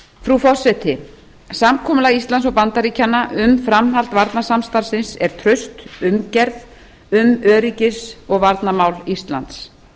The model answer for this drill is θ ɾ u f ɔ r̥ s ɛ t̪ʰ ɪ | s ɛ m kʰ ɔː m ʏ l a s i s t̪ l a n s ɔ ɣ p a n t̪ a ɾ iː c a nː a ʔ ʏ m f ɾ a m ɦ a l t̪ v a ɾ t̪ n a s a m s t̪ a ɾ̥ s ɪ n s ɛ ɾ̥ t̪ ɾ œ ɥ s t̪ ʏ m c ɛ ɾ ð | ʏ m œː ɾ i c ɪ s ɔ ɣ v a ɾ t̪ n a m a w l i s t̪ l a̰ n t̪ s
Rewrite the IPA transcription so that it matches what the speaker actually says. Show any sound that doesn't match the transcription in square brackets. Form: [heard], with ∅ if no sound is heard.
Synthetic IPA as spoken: [f] ɾ u f ɔ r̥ s ɛ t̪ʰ ɪ | s [a] m kʰ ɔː m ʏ l a [∅] i s t̪ l a n s ɔ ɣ p a n t̪ a ɾ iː c a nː a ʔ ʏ m f ɾ a m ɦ a l t̪ v a ɾ t̪ n a s a m s t̪ a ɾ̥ s ɪ n s ɛ ɾ̥ [t̪ʰ] ɾ œ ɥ s t̪ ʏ m c ɛ ɾ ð | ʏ m œː ɾ i c ɪ s ɔ ɣ v a ɾ t̪ n a m a w l i s t̪ l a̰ n t̪ s